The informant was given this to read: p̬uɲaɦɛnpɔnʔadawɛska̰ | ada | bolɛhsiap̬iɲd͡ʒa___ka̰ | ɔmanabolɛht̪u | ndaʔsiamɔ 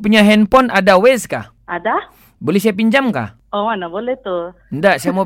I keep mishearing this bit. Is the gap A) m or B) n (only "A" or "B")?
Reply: A